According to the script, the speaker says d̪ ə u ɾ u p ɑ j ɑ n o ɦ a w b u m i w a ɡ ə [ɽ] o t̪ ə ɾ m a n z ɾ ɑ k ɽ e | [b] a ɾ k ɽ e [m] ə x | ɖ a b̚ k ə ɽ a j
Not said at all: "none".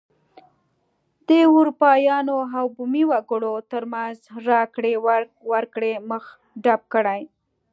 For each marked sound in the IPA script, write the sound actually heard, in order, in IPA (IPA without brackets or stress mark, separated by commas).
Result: ɽ, w, m